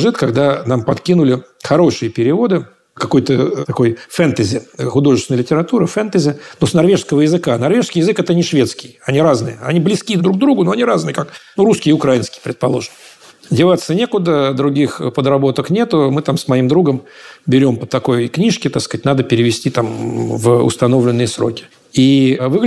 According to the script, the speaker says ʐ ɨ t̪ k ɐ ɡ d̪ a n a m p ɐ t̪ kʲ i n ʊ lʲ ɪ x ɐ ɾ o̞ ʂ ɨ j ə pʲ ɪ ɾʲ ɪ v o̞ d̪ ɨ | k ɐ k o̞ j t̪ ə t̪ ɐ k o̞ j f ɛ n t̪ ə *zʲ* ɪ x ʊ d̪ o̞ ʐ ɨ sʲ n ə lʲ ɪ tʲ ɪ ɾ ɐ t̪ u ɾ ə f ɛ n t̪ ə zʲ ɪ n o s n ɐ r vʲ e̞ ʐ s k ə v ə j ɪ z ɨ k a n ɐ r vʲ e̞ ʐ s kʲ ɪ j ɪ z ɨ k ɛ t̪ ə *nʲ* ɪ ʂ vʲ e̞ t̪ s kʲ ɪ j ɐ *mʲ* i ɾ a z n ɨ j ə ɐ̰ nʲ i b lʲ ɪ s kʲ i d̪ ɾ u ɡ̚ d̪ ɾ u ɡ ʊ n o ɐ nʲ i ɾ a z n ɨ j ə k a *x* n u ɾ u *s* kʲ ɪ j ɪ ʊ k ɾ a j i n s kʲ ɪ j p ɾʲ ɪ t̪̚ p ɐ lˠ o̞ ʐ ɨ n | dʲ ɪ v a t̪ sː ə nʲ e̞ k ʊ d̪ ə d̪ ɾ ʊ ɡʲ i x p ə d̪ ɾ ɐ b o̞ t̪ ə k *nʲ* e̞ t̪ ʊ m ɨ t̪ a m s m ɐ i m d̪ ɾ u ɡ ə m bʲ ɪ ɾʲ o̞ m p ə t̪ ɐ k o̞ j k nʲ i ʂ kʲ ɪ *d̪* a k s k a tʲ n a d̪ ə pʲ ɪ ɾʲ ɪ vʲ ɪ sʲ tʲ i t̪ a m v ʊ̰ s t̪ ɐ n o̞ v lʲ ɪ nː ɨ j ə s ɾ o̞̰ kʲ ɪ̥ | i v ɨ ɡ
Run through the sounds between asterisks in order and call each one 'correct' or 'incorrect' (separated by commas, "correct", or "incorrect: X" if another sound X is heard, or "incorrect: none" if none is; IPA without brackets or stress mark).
correct, correct, incorrect: nʲ, incorrect: k, correct, correct, incorrect: t̪